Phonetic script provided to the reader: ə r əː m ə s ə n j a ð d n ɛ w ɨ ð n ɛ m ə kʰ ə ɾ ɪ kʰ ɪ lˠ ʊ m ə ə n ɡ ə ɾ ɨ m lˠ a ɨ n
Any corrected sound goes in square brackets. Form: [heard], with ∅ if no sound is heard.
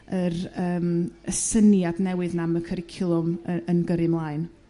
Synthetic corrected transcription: ə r əː m ə s ə n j a [∅] d n ɛ w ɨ ð n [a] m ə kʰ ə ɾ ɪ kʰ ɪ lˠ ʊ m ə ə n ɡ ə ɾ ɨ m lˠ a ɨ n

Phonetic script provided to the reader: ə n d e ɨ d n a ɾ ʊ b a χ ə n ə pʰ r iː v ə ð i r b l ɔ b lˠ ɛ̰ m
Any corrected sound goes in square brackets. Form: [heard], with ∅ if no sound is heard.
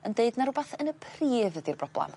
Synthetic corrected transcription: ə n d e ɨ d n a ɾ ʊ b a [θ] ə n ə pʰ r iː v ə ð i r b [r] ɔ b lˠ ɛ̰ m

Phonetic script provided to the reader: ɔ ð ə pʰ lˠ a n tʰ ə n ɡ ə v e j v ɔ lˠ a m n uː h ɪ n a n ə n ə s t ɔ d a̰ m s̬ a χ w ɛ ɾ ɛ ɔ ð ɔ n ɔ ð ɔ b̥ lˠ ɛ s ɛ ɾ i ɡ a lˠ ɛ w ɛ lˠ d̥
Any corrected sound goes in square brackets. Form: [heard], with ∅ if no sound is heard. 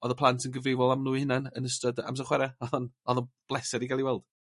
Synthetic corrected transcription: ɔ ð ə pʰ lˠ a n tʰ ə n ɡ ə v e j v ɔ lˠ a m n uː h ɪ n a n ə n ə s t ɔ d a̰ m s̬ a χ w ɛ ɾ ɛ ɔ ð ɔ n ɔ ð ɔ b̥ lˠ ɛ s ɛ ɾ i ɡ a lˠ [i] w ɛ lˠ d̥

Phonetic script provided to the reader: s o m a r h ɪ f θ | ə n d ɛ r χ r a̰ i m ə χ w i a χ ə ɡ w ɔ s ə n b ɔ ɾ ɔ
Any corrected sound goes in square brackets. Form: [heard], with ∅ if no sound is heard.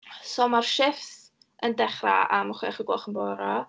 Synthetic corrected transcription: s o m a r [ʃ] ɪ f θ | ə n d ɛ [∅] χ r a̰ [a] m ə χ w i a χ ə ɡ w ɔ [χ] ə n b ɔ ɾ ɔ

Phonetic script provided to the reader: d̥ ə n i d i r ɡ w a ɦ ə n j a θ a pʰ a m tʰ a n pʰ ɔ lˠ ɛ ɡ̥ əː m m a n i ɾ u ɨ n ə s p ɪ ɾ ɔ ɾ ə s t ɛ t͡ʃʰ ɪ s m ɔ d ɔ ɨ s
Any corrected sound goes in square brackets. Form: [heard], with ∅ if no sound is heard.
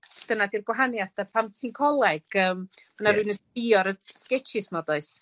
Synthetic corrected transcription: d̥ ə n [a] d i r ɡ w a ɦ [a] n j a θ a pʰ a m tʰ [i] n [kʰ] ɔ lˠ ɛ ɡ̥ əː m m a n [a] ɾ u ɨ n ə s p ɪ [∅] ɔ ɾ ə s [k] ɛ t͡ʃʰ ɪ s m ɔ d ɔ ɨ s

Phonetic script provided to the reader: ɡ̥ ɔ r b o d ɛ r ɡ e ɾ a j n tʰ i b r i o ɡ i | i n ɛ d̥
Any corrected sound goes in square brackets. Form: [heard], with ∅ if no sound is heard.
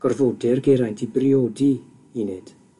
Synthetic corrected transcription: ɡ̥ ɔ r [v] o d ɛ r ɡ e ɾ a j n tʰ i b r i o [d] i | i n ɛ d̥

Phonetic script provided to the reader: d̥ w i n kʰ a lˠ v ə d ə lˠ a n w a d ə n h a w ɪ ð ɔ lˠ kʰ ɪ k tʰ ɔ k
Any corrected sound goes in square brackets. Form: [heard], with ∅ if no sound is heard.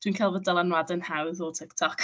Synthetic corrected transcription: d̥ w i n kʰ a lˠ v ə d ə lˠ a n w a d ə n h a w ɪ ð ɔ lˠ [tʰ] ɪ k tʰ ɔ k

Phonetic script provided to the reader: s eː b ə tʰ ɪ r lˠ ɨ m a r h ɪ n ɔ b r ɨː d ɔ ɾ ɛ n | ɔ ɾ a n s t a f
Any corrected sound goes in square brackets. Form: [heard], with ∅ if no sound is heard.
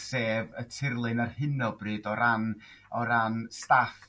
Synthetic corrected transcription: s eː [v] ə tʰ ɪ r lˠ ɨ [n] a r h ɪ n ɔ b r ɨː d ɔ ɾ [a] n | ɔ ɾ a n s t a f

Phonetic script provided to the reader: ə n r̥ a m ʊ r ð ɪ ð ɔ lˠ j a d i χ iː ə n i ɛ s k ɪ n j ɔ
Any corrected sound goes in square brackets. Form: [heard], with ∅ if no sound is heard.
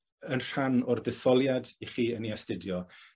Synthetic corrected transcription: ə n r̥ a [n] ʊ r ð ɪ [θ] ɔ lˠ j a d i χ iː ə n i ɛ s [t] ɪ [d] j ɔ

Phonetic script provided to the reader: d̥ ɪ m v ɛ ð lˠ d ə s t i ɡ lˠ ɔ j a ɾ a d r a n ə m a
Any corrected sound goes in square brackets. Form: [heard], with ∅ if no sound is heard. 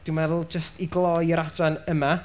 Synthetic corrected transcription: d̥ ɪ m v ɛ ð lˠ [d͡ʒ] ə s t i ɡ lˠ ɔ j [ə] ɾ a d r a n ə m a

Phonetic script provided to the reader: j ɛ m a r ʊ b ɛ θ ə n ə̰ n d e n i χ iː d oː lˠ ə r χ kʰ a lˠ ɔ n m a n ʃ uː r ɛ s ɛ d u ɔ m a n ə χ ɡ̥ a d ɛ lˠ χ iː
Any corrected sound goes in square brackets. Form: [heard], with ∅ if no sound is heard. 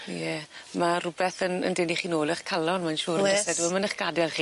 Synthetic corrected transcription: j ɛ m a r ʊ b ɛ θ ə n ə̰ n d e n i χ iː [n] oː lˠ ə [∅] χ kʰ a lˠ ɔ n m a n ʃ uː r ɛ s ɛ d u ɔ m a n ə χ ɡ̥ a d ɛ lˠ χ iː

